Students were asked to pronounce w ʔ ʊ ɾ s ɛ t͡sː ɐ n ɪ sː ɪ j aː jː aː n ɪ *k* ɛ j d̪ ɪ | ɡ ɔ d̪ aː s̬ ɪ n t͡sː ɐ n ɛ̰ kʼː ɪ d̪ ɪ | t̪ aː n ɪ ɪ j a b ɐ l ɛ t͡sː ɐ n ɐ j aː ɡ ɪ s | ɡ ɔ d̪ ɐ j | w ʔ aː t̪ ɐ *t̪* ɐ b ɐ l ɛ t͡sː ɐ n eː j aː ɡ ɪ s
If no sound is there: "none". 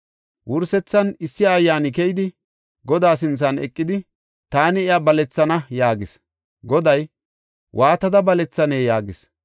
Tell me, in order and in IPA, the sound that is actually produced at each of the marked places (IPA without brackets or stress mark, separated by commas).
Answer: k, d̪